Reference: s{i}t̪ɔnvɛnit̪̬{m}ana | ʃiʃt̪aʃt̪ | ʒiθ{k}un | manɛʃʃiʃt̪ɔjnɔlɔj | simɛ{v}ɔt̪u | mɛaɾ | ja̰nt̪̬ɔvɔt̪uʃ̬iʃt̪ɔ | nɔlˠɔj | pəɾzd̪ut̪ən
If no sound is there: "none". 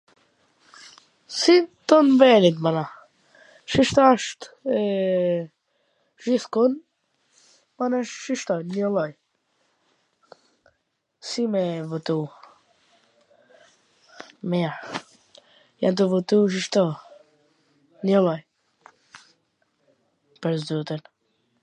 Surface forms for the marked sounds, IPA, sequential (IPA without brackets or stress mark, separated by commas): i, m, k, v